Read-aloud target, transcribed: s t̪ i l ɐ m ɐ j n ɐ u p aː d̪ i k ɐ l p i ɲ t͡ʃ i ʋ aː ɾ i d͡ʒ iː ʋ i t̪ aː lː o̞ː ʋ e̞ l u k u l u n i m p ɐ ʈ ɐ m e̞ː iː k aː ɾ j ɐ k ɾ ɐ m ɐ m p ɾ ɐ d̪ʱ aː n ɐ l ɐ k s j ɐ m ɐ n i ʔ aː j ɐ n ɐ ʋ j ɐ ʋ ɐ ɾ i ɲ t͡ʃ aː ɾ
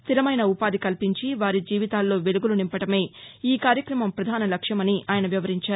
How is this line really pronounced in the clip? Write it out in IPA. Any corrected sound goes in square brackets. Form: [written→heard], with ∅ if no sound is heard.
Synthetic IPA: s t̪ i l ɐ m ɐ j n ɐ u p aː d̪ i k ɐ l p i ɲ t͡ʃ i ʋ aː ɾ i d͡ʒ iː ʋ i t̪ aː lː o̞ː ʋ e̞ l u [k→ɡ] u l u n i m p ɐ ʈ ɐ m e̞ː iː k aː ɾ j ɐ k ɾ ɐ m ɐ m p ɾ ɐ d̪ʱ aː n ɐ l ɐ k [s→ʂ] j ɐ m ɐ n i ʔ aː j ɐ n ɐ ʋ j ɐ ʋ ɐ ɾ i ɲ t͡ʃ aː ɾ